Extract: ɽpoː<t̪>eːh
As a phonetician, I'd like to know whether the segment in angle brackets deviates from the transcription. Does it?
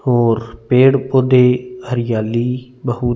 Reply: yes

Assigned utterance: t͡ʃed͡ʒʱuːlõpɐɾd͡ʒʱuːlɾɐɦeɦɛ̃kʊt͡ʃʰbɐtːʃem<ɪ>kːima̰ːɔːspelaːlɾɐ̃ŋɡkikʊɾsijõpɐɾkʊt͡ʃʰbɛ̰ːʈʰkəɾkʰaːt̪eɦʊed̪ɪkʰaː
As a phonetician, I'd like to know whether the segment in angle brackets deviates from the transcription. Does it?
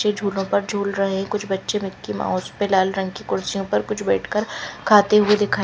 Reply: no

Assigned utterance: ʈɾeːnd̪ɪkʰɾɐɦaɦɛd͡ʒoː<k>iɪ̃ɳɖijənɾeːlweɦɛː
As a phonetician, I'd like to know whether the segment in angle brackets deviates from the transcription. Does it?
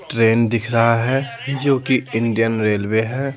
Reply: no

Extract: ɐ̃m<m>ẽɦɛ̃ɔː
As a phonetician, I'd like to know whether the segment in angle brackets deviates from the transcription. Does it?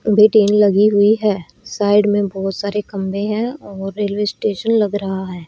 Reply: yes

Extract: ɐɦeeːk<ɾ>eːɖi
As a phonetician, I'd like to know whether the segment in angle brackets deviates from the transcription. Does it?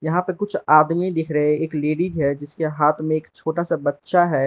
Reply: yes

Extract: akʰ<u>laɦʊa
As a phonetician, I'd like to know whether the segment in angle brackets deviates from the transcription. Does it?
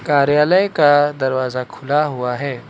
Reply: yes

